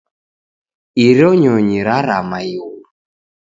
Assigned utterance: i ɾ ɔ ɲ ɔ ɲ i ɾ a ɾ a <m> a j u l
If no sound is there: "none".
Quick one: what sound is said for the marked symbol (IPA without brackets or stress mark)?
m